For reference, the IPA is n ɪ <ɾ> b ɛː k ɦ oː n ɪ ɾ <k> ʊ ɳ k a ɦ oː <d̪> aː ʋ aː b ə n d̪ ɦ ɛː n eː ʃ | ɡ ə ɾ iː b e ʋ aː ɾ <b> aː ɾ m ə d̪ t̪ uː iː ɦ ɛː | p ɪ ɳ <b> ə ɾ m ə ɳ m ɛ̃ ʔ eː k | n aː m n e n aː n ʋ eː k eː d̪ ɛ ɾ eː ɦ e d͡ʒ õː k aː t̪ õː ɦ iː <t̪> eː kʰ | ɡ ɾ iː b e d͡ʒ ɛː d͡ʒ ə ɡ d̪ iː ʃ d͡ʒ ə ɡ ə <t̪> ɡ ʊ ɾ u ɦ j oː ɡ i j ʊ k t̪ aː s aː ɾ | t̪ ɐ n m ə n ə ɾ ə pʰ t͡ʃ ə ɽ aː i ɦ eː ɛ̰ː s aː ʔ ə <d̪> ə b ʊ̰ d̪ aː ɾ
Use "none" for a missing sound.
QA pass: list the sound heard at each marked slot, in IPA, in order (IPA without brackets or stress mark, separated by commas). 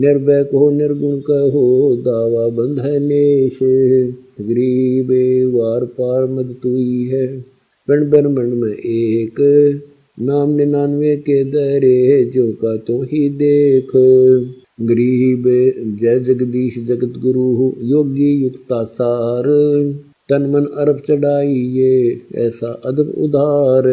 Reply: ɾ, ɡ, d̪, p, b, d̪, t̪, d̪